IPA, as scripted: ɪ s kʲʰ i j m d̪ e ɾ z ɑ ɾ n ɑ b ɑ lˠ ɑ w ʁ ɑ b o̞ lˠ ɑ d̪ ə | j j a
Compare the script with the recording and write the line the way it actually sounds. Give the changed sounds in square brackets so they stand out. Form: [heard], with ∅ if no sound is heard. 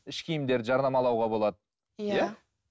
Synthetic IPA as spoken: ɪ [ʃ] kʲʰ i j m d̪ e ɾ [ʒ] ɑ ɾ n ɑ [m] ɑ lˠ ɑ w ʁ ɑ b o̞ lˠ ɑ d̪ ə | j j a